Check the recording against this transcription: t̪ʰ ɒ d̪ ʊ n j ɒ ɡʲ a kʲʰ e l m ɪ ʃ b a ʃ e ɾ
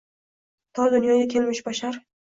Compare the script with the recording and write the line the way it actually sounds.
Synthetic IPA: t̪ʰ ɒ d̪ ʊ n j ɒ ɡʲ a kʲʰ e l m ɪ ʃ b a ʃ a ɾ